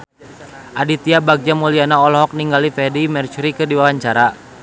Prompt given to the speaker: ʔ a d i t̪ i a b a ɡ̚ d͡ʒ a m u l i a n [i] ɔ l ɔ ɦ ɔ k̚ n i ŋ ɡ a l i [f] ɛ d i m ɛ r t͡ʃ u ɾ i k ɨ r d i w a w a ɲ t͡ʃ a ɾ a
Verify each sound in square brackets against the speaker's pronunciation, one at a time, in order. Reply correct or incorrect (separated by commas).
incorrect, correct